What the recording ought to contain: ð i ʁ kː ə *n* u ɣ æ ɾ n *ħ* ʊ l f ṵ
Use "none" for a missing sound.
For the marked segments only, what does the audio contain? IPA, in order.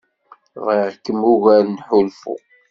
m, ħ

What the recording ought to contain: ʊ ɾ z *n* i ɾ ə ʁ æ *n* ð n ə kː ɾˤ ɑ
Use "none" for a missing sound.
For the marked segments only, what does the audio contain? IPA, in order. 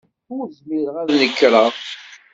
m, none

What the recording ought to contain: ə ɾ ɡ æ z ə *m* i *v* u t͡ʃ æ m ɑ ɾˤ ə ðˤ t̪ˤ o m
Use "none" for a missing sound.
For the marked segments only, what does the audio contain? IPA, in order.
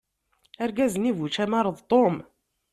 n, v

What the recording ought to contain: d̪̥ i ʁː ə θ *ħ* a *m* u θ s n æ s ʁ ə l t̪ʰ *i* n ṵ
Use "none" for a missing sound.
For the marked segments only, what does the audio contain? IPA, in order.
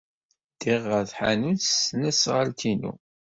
ħ, n, i

